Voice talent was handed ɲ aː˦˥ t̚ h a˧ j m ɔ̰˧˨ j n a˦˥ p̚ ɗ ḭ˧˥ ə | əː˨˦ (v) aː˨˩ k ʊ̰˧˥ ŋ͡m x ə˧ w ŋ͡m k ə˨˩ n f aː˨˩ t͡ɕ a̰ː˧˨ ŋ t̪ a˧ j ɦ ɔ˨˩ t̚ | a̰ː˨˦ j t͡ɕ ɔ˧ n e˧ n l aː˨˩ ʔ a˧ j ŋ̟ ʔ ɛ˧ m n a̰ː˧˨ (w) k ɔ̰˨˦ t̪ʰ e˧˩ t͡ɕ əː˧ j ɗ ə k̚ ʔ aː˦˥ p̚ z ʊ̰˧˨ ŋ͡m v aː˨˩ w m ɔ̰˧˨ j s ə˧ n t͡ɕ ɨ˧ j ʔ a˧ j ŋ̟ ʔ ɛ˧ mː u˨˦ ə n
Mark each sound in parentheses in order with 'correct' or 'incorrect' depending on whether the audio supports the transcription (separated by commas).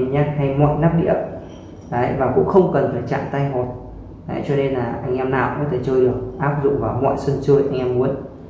correct, correct